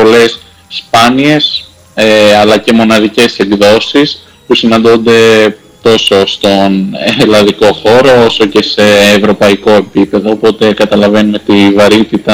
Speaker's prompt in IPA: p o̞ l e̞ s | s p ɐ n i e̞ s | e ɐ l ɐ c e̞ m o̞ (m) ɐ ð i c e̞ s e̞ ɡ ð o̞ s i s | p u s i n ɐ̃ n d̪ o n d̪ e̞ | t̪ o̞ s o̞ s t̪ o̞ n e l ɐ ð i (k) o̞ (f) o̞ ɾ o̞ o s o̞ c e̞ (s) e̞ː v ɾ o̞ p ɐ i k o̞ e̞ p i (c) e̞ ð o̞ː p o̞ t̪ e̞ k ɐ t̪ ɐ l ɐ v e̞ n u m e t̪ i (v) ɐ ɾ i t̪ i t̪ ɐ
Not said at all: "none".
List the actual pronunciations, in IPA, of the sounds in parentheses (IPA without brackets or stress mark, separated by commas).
n, k, x, s, p, v